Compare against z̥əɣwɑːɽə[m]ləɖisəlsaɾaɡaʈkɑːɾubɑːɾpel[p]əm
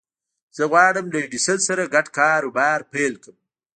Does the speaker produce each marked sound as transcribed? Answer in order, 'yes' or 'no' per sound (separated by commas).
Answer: yes, no